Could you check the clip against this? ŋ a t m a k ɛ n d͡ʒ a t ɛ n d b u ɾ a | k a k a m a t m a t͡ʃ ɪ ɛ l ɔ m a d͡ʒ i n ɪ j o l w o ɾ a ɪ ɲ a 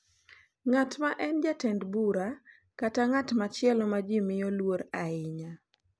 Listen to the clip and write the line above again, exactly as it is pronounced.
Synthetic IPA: ŋ a t m a ʔ ɛ n d͡ʒ a t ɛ n d b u ɾ a | k a t a ŋ a t m a t͡ʃ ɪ ɛ l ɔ m a d͡ʒ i m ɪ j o l w o ɾ a ɪ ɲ a